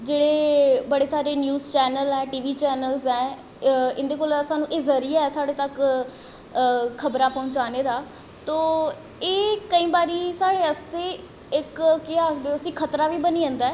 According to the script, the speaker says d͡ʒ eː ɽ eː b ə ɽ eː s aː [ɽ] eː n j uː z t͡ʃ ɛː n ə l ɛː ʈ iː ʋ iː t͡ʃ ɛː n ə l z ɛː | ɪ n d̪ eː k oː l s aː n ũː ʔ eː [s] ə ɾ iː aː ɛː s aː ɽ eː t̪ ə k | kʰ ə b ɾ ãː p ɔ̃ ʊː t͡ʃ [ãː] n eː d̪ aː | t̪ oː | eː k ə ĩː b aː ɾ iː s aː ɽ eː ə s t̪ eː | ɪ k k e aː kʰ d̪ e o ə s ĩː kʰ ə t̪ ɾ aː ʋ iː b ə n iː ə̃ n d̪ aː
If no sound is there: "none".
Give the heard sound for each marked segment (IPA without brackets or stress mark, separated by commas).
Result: ɾ, z, aː